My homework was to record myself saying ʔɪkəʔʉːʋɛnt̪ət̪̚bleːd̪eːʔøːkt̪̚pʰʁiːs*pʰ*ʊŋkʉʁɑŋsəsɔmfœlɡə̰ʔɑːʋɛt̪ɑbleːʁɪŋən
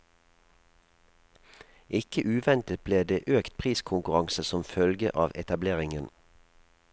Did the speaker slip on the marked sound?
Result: yes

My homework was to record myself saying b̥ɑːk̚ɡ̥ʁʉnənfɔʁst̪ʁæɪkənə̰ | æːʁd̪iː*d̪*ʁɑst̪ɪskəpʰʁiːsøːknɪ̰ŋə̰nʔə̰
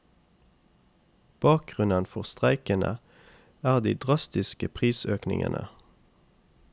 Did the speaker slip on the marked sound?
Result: no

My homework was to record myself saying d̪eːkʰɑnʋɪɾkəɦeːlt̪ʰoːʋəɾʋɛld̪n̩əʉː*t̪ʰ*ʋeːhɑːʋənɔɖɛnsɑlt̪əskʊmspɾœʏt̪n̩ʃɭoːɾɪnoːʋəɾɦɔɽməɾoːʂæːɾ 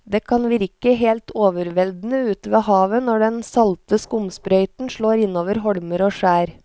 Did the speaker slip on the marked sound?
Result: yes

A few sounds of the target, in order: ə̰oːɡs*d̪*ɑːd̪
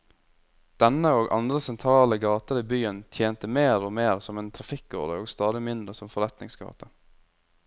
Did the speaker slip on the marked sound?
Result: yes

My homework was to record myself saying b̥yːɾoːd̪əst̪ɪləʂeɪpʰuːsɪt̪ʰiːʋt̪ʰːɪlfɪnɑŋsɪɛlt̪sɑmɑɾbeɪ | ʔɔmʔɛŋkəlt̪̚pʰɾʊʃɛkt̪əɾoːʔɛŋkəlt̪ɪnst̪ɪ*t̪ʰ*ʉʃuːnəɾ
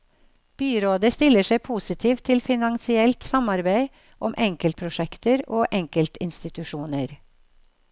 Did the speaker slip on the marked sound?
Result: yes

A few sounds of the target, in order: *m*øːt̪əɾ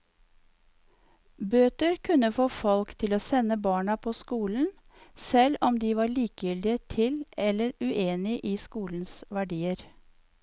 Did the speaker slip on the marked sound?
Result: yes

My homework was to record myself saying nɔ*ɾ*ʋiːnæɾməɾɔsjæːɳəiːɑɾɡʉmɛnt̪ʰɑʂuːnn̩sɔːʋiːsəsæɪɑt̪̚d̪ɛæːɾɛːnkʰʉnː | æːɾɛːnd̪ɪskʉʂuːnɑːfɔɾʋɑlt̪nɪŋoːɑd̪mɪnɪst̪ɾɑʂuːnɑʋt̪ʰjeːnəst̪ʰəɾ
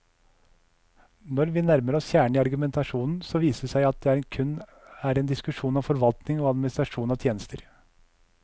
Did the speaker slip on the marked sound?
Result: no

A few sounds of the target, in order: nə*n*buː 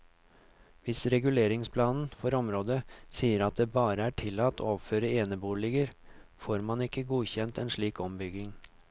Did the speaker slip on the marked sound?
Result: yes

